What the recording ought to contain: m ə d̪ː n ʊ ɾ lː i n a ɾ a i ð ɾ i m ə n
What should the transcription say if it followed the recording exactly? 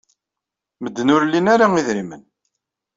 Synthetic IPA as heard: m ə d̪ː n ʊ ɾ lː i n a ɾ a i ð ɾ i m ə n